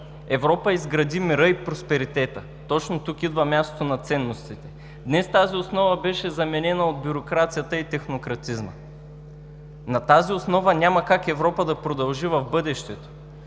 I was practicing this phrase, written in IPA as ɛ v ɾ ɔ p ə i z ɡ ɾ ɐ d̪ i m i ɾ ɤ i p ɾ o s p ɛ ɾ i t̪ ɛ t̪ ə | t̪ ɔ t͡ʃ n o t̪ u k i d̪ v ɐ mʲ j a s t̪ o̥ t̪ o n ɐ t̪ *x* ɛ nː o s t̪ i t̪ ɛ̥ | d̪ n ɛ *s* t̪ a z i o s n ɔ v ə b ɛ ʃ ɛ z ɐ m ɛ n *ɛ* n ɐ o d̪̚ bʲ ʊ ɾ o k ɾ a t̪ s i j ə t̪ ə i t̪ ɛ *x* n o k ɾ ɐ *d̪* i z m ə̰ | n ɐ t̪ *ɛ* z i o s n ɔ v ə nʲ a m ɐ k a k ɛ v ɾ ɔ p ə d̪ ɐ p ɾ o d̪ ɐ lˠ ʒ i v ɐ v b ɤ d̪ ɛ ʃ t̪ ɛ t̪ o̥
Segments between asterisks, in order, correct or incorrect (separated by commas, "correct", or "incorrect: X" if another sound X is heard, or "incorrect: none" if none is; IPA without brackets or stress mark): incorrect: s, correct, correct, correct, incorrect: t̪, incorrect: a